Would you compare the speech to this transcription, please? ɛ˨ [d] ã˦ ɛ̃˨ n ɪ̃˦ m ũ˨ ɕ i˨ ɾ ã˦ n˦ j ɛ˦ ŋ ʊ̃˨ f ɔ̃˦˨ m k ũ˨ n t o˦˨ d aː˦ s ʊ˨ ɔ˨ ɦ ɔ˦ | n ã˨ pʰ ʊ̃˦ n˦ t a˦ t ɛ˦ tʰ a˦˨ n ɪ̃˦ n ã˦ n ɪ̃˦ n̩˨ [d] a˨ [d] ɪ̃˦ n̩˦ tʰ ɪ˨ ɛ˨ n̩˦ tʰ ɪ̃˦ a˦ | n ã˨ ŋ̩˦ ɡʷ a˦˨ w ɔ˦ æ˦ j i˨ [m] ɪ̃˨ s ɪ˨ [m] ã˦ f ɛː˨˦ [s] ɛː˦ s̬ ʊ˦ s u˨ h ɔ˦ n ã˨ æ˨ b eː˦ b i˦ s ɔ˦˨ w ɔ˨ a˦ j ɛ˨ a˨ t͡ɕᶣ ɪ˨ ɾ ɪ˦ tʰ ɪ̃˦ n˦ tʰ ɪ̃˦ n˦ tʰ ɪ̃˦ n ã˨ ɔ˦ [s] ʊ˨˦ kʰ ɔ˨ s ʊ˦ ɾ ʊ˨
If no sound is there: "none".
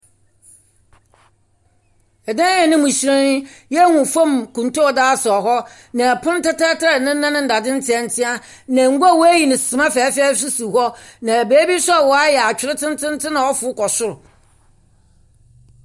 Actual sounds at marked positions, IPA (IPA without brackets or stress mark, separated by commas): d, d, d, n, m, f, f